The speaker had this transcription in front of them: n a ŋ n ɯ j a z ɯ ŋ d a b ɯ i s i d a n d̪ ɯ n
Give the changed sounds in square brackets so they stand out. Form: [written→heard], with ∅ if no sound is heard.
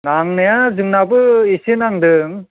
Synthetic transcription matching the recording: n a ŋ n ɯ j a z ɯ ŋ [d→n] a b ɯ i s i [d→n] a [n→ŋ] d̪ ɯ [n→ŋ]